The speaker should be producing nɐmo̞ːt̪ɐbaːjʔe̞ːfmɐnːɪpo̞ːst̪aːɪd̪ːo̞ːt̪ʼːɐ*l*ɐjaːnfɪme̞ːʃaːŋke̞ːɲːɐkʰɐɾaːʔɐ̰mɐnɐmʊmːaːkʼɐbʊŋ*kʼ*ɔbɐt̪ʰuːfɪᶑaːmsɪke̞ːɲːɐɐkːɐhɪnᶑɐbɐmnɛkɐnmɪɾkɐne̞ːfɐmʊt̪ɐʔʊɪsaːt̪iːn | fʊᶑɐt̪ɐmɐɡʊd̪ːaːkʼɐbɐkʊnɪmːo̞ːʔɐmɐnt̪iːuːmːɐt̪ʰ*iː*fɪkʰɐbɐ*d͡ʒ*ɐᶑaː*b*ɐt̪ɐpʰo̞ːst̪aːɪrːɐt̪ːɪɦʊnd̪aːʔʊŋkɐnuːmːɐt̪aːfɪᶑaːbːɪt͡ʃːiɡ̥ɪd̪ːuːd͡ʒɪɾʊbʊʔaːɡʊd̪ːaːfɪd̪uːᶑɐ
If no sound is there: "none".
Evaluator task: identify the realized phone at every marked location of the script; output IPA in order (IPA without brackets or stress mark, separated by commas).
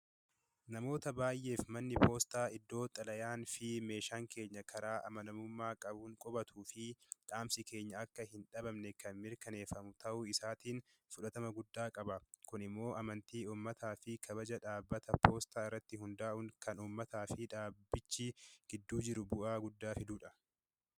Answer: l, kʼ, aː, d͡ʒ, bː